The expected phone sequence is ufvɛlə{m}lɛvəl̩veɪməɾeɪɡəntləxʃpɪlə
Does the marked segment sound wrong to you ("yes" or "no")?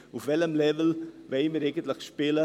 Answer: no